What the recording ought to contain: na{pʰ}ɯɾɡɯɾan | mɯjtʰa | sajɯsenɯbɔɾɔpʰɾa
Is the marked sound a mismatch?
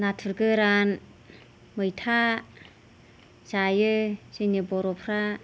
yes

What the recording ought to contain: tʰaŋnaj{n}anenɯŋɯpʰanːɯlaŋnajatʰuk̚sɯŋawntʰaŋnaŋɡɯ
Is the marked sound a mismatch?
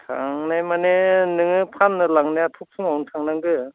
yes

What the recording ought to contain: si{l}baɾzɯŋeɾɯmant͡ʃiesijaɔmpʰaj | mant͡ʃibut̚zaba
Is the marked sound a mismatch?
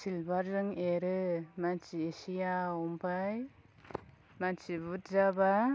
no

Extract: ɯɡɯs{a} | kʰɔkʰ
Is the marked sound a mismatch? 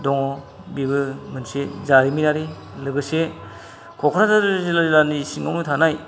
yes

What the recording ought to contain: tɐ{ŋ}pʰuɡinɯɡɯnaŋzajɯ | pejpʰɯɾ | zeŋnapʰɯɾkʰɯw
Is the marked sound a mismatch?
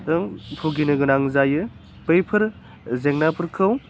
no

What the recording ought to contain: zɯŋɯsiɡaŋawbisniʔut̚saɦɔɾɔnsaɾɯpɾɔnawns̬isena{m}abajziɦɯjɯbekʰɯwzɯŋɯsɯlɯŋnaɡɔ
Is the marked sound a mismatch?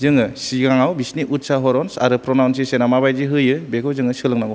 no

